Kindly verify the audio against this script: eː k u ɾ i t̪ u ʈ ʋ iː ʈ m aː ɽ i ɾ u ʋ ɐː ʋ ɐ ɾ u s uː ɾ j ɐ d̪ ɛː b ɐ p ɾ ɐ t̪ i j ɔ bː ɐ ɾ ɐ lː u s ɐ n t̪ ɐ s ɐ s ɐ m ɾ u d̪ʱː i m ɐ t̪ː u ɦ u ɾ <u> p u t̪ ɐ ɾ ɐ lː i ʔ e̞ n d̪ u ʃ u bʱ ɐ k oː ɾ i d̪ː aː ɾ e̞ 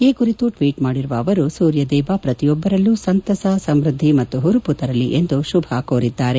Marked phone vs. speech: correct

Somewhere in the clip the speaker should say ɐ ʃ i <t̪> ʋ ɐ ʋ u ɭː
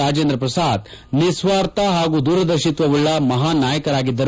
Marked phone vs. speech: correct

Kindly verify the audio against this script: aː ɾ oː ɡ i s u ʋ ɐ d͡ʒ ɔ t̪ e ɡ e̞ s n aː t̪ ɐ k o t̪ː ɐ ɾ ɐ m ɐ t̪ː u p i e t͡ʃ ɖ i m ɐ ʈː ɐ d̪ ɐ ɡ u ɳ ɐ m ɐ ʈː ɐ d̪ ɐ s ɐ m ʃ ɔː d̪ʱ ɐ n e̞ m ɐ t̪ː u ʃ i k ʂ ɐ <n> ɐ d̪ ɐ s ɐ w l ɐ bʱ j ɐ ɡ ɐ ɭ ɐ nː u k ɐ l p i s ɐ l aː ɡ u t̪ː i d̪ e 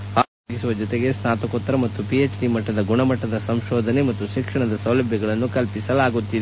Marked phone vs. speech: incorrect: ɳ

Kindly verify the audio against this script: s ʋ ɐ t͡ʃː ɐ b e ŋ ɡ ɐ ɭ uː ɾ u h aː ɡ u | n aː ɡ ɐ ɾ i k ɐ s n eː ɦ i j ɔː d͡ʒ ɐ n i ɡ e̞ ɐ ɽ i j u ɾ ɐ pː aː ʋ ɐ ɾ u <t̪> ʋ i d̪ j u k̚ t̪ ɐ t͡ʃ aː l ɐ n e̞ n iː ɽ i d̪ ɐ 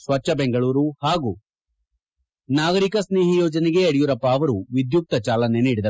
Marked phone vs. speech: incorrect: none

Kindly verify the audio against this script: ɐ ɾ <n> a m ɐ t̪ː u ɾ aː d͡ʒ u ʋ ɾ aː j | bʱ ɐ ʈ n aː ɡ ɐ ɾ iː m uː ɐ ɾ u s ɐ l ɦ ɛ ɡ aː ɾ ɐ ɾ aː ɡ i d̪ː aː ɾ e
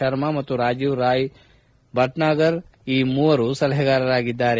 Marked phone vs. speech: incorrect: m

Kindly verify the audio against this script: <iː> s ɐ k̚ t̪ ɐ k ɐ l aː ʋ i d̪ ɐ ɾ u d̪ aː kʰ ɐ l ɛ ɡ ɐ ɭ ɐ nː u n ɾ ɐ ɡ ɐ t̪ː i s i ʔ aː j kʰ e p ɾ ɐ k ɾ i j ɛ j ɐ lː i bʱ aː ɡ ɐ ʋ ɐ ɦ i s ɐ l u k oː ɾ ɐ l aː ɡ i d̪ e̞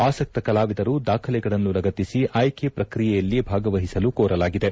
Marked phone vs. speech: incorrect: aː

